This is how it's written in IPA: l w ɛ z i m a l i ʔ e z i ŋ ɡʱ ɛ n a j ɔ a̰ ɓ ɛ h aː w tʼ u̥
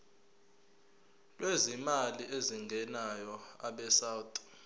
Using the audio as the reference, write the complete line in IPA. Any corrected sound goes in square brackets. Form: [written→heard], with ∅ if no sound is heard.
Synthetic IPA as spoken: l w [ɛ→e] z i m a l i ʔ e z i ŋ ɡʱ ɛ n a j ɔ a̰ ɓ ɛ [h→s] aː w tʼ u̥